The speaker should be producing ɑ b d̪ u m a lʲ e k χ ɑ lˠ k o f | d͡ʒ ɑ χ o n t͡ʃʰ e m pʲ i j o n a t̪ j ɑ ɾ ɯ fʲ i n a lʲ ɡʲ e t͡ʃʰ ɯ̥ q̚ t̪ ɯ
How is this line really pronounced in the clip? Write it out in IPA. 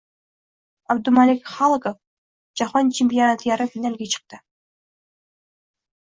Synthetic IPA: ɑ b d̪ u m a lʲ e k χ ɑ lˠ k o f | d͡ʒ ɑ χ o n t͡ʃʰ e m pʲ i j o n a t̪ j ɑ ɾ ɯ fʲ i n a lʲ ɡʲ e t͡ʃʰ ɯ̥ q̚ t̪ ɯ